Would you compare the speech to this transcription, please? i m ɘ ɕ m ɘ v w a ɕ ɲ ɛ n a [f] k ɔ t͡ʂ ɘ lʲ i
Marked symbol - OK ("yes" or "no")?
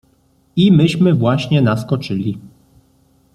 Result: no